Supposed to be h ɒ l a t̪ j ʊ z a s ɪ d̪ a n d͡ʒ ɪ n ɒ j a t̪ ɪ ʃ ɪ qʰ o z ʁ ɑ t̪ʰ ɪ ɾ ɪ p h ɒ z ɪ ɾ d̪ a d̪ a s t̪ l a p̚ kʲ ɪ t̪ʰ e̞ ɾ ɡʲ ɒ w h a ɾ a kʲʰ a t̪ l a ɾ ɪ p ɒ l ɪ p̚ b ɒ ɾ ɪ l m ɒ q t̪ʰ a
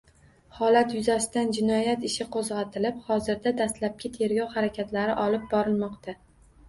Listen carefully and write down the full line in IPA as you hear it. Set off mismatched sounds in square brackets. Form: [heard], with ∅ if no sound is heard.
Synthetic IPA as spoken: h ɒ l a t̪ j ʊ z a s ɪ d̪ a n d͡ʒ ɪ n ɒ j a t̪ ɪ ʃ ɪ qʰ o z ʁ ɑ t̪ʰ ɪ [l] ɪ p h ɒ z ɪ ɾ d̪ a d̪ a s t̪ l a p̚ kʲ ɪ t̪ʰ e̞ ɾ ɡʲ ɒ w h a ɾ a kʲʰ a t̪ l a ɾ ɪ [ʔ] ɒ l ɪ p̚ b ɒ ɾ ɪ l m ɒ q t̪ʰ a